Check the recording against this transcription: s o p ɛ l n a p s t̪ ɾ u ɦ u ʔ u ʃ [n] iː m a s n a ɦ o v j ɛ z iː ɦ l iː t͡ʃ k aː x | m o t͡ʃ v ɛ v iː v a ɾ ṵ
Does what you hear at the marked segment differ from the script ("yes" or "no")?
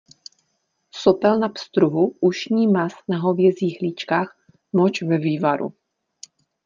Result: yes